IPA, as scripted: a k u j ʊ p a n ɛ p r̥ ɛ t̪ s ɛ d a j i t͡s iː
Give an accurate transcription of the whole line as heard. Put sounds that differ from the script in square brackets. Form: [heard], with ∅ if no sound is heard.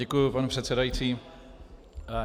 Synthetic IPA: [ɛ] k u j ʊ p a n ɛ p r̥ ɛ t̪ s ɛ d a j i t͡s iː